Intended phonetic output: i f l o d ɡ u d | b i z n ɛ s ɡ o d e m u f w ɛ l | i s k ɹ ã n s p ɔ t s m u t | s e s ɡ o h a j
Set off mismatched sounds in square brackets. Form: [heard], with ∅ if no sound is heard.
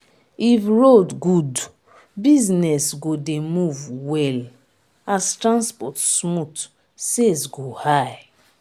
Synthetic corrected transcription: i f [ɹ] o d ɡ u d | b i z n ɛ s ɡ o d e m u [v] w ɛ l | [a] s [t] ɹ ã n s p ɔ t s m u t | s e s ɡ o h a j